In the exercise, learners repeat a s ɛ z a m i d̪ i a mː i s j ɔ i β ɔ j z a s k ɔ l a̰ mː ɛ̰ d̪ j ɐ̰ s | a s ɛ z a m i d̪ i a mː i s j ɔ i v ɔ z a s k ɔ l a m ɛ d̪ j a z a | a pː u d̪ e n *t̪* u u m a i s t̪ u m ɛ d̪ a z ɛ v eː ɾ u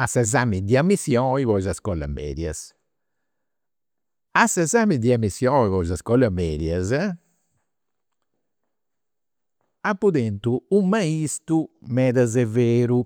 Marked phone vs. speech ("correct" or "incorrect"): correct